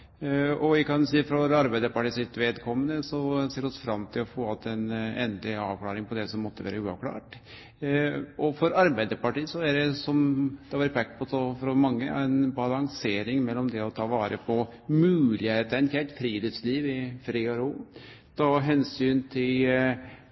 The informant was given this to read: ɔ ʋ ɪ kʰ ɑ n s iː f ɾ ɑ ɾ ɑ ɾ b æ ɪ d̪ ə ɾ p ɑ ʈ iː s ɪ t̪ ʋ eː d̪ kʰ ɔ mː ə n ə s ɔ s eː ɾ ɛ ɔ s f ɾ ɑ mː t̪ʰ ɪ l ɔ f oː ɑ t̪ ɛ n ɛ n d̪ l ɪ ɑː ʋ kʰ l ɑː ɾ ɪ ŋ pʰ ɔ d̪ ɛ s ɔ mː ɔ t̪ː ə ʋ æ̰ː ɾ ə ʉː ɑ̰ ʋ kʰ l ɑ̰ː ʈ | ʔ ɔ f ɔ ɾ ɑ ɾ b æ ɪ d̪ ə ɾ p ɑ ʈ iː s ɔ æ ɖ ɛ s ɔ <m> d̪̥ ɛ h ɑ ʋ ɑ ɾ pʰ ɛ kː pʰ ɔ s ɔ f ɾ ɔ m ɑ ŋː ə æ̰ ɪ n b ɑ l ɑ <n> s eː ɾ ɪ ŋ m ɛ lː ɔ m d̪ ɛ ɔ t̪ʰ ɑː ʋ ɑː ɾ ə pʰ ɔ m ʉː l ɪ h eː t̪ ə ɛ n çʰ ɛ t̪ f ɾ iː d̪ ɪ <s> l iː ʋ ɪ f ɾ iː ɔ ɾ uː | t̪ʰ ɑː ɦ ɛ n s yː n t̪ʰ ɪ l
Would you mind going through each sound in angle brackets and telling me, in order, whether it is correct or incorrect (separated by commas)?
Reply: correct, incorrect, correct